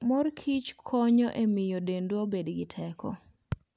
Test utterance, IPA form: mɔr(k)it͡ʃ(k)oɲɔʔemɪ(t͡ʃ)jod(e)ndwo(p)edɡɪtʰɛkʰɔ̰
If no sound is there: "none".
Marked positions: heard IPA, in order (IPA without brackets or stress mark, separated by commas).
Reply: kʰ, kʰ, none, e, b